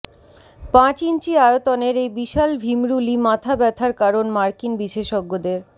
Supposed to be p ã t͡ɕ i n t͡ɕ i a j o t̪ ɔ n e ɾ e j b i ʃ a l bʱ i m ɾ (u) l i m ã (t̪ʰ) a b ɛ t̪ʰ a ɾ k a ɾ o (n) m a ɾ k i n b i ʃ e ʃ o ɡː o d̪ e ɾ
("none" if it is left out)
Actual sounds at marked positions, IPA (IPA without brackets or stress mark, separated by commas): u, t̪ʰ, n